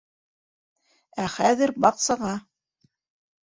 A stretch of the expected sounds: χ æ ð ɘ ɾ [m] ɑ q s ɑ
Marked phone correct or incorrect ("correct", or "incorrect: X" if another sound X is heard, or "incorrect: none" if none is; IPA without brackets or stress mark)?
incorrect: b